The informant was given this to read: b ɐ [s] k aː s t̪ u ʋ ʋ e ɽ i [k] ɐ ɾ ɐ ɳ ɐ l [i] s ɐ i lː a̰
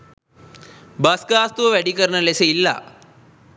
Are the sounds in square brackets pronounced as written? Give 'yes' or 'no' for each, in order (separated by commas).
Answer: yes, yes, no